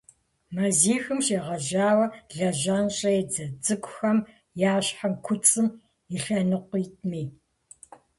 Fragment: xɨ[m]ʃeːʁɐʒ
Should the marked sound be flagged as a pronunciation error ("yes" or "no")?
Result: no